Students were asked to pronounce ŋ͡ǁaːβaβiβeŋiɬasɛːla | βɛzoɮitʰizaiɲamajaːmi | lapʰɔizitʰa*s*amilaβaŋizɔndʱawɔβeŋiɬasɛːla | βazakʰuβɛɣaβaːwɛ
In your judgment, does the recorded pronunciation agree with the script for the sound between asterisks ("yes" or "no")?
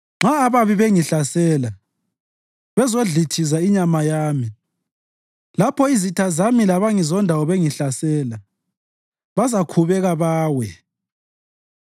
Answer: no